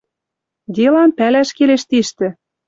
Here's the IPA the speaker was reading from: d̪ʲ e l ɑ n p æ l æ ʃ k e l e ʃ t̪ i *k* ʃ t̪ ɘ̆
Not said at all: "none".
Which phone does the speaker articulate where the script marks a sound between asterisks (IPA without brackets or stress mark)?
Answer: none